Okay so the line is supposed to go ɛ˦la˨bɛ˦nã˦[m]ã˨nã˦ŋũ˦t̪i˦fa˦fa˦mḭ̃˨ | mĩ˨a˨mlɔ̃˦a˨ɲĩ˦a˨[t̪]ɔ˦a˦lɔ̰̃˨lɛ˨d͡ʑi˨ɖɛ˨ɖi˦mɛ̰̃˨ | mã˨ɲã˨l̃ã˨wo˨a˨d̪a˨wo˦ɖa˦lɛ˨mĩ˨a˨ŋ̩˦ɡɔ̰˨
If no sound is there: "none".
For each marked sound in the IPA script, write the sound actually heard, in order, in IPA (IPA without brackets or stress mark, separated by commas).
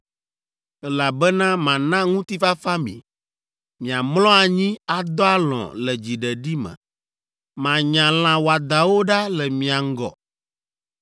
m, d̪